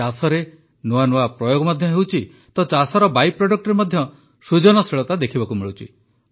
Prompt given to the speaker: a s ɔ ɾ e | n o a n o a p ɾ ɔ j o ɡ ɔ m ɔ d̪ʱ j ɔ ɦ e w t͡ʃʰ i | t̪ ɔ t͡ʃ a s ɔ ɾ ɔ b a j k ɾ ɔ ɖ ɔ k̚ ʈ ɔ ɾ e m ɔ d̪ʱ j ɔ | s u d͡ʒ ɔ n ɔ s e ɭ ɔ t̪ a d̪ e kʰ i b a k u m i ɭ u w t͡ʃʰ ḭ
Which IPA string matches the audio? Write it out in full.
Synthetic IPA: a s ɔ ɾ e | n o a n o a p ɾ ɔ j o ɡ ɔ m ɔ d̪ʱ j ɔ ɦ e w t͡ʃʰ i | t̪ ɔ t͡ʃ a s ɔ ɾ ɔ b a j p ɾ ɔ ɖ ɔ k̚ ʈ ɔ ɾ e m ɔ d̪ʱ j ɔ | s u d͡ʒ ɔ n ɔ s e ɭ ɔ t̪ a d̪ e kʰ i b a k u m i ɭ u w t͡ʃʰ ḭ